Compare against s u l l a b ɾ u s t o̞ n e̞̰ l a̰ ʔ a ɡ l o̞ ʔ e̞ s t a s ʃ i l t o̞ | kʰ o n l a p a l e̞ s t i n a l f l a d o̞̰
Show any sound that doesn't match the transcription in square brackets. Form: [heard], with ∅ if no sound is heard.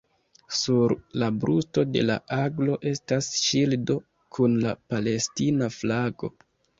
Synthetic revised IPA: s u [ɾ] l a b ɾ u s t o̞ [d] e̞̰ l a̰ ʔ a ɡ l o̞ ʔ e̞ s t a s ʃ i l [d] o̞ | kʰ [u] n l a p a l e̞ s t i n a [∅] f l a [ɡ] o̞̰